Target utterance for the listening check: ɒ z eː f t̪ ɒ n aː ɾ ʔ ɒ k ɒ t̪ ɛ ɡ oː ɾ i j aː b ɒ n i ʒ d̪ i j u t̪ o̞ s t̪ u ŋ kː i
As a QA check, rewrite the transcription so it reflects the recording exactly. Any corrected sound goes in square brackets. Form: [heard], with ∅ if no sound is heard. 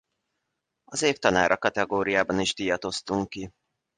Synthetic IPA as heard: ɒ z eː f t̪ ɒ n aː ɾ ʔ ɒ k ɒ t̪ ɛ ɡ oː ɾ i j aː b ɒ n i ʒ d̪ i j [ɒ] t̪ o̞ s t̪ u ŋ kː i